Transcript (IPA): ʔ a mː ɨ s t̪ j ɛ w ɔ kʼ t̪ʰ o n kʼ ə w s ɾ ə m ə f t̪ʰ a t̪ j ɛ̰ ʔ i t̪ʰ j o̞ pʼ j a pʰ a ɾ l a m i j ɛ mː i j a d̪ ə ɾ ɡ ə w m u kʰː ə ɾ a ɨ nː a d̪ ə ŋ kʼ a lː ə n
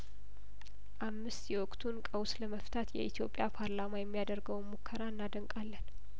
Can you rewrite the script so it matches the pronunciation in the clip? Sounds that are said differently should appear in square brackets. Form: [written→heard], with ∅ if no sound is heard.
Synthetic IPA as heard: ʔ a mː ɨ s t̪ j ɛ w ɔ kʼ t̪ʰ [o→u] n kʼ ə w s [ɾ→l] ə m ə f t̪ʰ a t̪ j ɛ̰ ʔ i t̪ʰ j o̞ pʼ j a pʰ a ɾ l a m [i→a] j ɛ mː i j a d̪ ə ɾ ɡ ə w m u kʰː ə ɾ a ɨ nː a d̪ ə ŋ kʼ a lː ə n